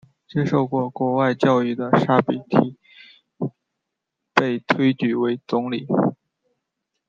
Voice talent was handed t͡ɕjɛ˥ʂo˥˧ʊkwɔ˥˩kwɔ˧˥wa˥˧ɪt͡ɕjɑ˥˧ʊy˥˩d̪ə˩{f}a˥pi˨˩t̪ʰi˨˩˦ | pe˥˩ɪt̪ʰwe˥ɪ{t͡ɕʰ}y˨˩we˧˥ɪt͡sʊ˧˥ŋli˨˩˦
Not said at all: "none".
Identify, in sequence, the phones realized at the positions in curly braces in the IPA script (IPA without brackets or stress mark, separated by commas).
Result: ʂ, t͡ɕ